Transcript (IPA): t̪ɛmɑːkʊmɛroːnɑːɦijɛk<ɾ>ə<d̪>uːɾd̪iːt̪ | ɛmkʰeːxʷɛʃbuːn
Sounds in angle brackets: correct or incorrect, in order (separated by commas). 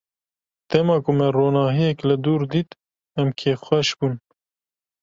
incorrect, correct